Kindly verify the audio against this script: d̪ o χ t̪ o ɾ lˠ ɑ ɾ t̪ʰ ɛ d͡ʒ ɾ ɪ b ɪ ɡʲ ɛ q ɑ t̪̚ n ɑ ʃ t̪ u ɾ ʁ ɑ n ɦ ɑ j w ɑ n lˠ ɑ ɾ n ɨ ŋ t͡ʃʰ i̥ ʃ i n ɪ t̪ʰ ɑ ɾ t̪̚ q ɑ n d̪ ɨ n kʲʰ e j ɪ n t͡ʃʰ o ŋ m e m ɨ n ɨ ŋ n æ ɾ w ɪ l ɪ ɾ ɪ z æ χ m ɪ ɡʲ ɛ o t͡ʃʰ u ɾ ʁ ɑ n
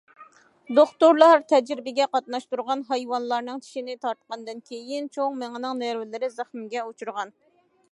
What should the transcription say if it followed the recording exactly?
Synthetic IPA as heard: d̪ o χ t̪ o ɾ lˠ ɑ ɾ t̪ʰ ɛ d͡ʒ ɾ ɪ b ɪ ɡʲ ɛ q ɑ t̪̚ n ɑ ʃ t̪ u ɾ ʁ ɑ n ɦ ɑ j w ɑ n lˠ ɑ ɾ n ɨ ŋ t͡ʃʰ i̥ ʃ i n ɪ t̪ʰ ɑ ɾ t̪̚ q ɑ n d̪ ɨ n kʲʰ e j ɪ n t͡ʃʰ o ŋ m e ŋ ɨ n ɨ ŋ n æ ɾ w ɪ l ɪ ɾ ɪ z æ χ m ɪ ɡʲ ɛ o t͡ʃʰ u ɾ ʁ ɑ n